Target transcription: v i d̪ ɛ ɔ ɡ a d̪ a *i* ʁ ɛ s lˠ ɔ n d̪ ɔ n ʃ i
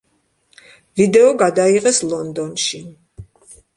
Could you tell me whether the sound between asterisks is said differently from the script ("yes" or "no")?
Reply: no